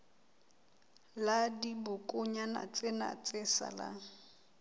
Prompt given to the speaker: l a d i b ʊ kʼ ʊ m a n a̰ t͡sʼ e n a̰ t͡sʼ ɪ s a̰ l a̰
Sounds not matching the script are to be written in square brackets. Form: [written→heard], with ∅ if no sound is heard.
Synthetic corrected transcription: l a d i b ʊ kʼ ʊ [m→ɲ] a n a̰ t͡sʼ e n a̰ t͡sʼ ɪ s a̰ l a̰